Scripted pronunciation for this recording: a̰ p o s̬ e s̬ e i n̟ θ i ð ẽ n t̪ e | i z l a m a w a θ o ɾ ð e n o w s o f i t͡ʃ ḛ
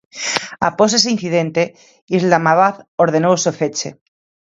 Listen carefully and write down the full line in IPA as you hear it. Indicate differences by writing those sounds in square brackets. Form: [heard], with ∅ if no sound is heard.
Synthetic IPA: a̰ p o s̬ e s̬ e i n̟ θ i ð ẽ n t̪ e | i z l a m a [β] a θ o ɾ ð e n o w s o f [e] t͡ʃ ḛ